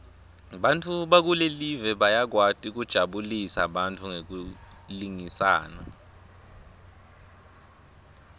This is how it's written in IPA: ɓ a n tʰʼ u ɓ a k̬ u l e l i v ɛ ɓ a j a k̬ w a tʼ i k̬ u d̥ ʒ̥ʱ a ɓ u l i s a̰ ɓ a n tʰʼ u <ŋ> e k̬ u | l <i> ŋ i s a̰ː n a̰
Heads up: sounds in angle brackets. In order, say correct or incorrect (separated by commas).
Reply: correct, correct